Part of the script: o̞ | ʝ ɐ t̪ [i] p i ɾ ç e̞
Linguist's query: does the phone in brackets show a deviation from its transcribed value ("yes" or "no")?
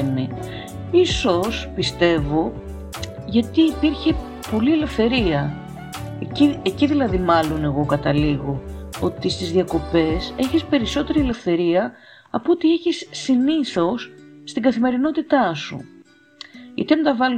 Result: yes